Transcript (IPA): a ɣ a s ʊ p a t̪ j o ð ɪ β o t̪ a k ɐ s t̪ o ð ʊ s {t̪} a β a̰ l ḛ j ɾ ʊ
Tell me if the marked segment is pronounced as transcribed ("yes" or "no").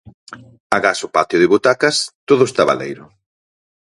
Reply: yes